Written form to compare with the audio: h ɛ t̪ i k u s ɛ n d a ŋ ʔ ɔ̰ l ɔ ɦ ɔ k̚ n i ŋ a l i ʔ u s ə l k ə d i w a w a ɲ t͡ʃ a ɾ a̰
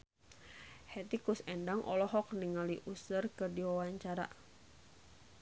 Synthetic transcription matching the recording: h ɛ t̪ i k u s ɛ n d a ŋ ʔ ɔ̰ l ɔ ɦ ɔ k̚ n i ŋ a l i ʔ u s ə r k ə d i w a w a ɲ t͡ʃ a ɾ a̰